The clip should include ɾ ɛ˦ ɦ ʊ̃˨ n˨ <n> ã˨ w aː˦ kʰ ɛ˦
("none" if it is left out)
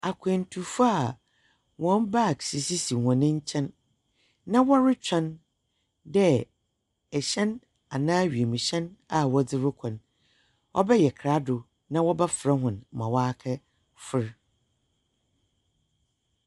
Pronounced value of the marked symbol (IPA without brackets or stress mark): m